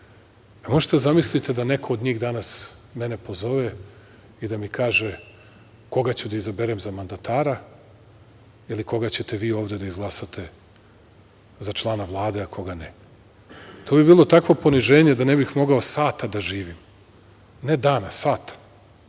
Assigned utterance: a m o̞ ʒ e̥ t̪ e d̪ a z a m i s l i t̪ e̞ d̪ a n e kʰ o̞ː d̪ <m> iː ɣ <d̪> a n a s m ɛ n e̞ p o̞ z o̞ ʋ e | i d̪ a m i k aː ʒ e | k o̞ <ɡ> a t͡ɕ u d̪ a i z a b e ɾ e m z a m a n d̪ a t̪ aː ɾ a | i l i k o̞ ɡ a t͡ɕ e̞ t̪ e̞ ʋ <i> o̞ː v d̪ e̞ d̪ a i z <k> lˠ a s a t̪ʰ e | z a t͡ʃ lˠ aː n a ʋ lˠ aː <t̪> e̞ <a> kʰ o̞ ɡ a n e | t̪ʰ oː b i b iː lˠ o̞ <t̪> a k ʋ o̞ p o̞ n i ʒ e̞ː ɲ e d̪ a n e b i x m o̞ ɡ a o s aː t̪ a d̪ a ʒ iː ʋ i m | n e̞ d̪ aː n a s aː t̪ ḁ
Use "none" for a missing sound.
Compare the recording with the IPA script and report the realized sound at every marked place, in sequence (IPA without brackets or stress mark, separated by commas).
ɲ, d̪, ɡ, iː, ɡ, d̪, a, t̪